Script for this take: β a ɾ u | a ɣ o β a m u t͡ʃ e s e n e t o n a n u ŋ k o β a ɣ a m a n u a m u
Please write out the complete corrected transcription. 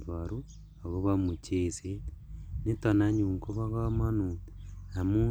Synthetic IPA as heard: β a ɾ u | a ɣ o β a m u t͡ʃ e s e n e t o n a ɲ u ŋ k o β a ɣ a m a n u a m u